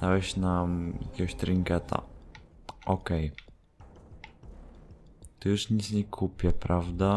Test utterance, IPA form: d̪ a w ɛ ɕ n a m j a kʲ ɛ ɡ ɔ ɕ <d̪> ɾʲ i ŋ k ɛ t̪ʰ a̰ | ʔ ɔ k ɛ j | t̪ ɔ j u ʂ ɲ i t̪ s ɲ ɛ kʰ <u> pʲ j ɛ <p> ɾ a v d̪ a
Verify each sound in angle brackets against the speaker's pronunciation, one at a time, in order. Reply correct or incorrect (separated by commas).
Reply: incorrect, correct, correct